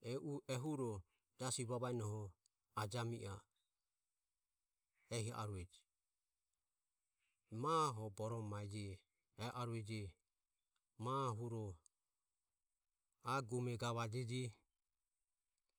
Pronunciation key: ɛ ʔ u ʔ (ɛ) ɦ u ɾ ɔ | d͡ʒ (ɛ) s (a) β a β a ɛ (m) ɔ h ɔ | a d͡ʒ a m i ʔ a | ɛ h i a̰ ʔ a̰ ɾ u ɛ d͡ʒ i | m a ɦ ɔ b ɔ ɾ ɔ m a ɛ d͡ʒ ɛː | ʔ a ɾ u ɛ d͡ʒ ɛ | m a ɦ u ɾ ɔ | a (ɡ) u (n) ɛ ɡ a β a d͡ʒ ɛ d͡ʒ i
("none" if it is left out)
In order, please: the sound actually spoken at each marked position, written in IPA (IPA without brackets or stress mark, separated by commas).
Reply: ɛ, a, i, n, ɡ, m